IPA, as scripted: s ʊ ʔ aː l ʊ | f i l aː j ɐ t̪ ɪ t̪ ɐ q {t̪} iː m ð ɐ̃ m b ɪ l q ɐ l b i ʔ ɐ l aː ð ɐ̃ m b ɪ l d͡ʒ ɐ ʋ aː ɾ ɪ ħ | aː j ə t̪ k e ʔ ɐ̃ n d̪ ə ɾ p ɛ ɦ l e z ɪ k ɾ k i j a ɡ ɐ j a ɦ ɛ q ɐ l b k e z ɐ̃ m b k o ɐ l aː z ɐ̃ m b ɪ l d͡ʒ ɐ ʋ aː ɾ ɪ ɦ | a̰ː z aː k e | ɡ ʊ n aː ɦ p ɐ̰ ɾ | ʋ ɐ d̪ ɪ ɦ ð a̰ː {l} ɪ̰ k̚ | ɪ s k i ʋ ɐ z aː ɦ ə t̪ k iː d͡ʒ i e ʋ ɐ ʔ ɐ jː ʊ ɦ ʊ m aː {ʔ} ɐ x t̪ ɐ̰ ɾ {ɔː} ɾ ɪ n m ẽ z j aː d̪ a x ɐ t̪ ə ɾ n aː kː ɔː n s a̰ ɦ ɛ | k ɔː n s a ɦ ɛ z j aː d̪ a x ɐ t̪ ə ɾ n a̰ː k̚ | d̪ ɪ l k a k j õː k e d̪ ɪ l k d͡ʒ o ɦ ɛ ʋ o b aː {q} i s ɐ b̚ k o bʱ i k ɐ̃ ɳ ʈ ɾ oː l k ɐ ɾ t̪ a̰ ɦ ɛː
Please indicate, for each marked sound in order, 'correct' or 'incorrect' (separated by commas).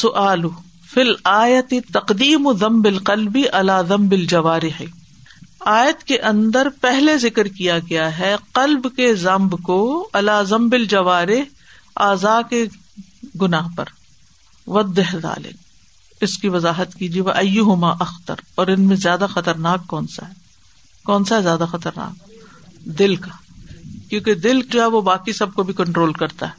incorrect, correct, correct, correct, incorrect